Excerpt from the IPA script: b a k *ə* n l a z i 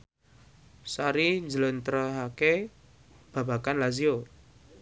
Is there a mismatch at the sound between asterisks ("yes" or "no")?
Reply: yes